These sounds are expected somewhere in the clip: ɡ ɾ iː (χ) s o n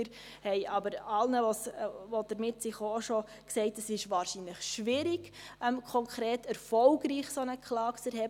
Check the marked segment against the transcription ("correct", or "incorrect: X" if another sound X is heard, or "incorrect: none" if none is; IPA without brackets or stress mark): correct